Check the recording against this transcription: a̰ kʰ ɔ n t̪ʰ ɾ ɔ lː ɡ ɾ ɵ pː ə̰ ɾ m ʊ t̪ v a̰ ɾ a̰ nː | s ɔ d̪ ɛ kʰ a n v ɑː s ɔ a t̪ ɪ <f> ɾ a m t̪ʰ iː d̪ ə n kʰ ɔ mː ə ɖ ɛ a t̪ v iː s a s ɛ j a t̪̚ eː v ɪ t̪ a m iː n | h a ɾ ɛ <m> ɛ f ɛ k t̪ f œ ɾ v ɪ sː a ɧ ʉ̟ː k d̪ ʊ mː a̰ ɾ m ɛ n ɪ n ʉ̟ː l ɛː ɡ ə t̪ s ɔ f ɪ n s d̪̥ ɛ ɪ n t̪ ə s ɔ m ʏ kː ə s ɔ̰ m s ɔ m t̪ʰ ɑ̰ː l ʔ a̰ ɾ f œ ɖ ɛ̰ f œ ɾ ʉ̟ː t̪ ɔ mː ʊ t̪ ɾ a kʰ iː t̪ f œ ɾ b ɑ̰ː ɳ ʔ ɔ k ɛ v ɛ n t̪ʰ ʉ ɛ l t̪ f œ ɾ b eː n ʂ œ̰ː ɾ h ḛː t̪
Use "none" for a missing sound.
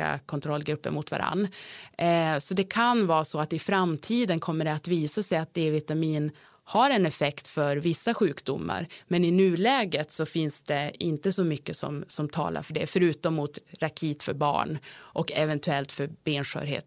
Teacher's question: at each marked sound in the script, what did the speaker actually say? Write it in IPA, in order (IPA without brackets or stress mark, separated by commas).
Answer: f, n